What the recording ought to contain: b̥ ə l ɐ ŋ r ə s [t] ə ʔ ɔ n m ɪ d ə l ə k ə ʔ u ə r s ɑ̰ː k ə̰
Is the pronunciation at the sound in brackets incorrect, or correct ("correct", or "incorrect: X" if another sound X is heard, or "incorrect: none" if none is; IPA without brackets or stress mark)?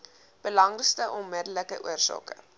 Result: correct